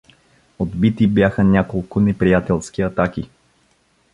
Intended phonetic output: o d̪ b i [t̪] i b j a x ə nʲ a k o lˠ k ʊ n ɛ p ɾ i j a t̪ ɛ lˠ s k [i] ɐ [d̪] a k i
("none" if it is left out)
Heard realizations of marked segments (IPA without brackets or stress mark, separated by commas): t̪, i, t̪